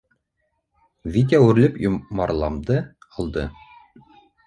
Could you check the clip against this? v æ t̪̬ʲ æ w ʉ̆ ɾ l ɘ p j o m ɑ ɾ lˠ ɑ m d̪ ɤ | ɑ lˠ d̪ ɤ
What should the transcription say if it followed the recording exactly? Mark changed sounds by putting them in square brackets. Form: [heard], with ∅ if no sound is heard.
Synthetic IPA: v [i] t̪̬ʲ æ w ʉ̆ ɾ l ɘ p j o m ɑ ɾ lˠ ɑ m d̪ ɤ | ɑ lˠ d̪ ɤ